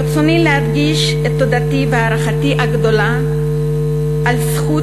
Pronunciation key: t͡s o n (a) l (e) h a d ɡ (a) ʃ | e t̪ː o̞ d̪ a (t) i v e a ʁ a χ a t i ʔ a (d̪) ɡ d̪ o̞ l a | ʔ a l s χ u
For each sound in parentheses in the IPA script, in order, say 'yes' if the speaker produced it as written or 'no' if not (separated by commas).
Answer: no, yes, no, yes, no